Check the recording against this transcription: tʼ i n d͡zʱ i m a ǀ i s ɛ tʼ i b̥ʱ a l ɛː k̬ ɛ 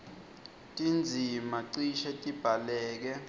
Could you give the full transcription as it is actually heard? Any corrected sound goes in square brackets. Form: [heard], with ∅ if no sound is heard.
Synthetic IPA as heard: tʼ i n d͡zʱ i m a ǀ i [ʃ] ɛ tʼ i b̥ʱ a l ɛː k̬ ɛ